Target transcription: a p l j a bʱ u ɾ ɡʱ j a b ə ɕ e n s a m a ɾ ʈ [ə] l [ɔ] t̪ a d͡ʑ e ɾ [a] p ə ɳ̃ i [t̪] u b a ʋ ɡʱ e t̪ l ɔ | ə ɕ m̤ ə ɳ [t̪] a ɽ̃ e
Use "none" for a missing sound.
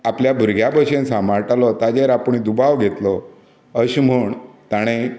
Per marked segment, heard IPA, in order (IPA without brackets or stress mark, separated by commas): a, ɔ, a, d̪, t̪